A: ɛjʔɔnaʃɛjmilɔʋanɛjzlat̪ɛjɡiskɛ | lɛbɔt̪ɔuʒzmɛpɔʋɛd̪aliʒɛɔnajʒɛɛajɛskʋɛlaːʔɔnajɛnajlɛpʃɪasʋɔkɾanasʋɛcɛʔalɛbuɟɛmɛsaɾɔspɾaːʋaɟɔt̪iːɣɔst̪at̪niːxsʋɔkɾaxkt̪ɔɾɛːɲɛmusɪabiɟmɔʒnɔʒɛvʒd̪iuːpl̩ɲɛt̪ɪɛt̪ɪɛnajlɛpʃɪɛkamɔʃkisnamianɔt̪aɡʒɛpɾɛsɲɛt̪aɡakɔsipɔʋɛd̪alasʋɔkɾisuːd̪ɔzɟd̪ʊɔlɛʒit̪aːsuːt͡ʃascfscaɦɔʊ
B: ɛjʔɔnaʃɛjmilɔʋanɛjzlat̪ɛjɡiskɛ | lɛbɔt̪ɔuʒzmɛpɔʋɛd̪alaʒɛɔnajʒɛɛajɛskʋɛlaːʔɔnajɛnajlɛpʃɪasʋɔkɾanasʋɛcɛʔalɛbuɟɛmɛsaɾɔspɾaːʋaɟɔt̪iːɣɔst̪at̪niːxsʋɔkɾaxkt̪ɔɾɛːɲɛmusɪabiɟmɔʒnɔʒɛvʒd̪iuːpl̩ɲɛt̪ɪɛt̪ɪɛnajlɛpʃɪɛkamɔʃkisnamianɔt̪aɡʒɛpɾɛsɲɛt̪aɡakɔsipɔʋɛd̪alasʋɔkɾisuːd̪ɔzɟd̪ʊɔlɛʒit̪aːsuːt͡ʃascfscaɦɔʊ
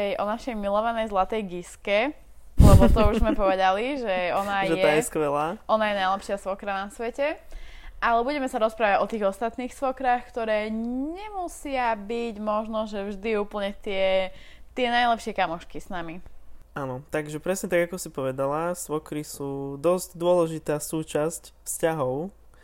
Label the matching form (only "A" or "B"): A